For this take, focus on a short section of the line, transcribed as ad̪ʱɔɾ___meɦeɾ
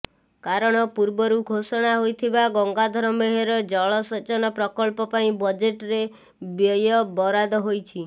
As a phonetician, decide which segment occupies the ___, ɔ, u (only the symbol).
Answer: ɔ